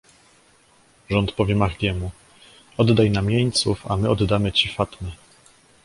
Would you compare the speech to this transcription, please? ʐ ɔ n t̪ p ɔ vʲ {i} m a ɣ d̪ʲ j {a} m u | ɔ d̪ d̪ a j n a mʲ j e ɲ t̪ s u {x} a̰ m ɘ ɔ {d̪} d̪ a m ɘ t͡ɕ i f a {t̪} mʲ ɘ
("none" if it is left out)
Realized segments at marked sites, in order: ɛ, ɛ, f, d̪, t̪

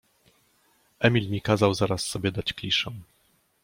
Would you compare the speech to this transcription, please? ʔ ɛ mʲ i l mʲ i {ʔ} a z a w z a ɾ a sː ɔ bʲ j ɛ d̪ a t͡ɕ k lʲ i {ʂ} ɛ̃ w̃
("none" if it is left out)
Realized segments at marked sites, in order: k, ʂ

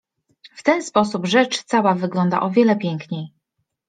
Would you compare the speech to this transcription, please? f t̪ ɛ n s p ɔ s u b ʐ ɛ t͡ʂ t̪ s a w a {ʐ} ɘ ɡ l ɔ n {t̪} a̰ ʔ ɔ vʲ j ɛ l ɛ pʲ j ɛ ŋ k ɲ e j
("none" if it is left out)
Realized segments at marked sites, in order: v, d̪

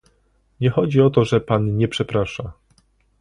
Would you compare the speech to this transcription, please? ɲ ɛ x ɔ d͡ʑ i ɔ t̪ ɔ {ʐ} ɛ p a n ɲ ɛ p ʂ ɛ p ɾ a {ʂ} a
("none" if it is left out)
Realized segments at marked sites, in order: ʐ, ʂ

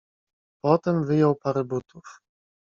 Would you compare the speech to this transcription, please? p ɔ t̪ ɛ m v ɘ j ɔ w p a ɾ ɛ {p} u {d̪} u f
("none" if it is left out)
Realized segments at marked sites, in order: b, t̪

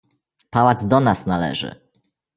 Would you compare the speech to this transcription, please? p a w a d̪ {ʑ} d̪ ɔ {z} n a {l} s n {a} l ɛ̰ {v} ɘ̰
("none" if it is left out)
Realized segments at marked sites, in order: z, none, none, a, ʐ

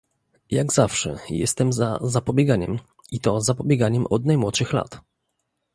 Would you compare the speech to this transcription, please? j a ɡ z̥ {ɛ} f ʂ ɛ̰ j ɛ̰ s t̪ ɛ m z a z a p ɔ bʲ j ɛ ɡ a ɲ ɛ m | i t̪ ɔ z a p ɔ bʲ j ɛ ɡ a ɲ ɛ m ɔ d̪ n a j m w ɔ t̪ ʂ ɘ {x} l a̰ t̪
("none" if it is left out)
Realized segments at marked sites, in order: a, x

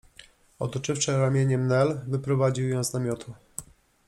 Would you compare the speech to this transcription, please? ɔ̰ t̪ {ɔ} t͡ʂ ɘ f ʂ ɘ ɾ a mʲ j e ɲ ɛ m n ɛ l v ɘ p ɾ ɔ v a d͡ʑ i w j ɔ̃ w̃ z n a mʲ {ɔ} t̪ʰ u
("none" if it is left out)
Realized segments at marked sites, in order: ɔ, ɔ

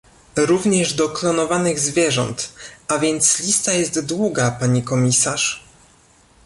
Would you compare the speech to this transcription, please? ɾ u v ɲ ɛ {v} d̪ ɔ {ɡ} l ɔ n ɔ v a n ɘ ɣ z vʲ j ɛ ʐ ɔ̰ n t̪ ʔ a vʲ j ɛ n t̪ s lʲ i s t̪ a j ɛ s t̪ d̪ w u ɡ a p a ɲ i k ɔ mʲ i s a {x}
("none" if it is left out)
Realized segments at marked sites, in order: ʐ, k, ʂ

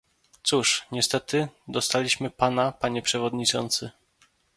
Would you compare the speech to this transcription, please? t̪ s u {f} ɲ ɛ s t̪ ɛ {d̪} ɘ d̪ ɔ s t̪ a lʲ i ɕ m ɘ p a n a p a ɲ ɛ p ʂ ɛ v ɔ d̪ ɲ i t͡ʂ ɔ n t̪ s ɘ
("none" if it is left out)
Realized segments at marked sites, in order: ʂ, t̪

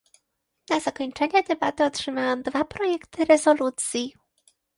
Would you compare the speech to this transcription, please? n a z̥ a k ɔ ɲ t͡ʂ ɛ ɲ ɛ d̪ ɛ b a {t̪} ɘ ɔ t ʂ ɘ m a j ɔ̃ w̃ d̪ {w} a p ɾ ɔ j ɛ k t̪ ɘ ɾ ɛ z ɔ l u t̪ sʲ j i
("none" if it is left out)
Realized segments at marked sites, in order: t̪, v

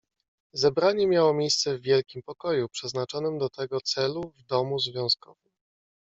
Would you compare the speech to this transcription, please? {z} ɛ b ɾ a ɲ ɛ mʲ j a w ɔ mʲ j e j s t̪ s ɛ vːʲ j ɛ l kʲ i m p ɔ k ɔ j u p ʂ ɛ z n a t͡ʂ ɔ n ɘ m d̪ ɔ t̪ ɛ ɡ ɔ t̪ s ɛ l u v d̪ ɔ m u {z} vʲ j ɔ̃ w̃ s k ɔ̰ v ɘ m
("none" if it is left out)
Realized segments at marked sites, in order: z, z

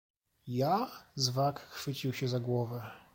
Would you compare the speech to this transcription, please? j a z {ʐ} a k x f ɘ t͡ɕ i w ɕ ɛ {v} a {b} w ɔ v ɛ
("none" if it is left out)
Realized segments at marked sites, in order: v, z, ɡ

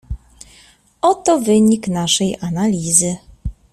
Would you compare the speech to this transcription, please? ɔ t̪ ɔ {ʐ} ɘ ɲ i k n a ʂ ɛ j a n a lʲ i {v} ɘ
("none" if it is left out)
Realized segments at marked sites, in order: v, z

